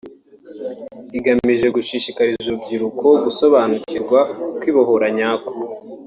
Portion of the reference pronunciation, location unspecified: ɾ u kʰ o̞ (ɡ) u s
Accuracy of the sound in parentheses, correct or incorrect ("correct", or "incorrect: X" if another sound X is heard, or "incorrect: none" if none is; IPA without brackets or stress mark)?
correct